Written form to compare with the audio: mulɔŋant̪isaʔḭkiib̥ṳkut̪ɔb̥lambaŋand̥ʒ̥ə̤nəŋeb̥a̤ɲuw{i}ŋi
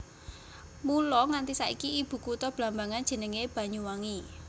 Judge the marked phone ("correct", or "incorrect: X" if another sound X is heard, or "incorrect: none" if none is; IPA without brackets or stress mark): incorrect: a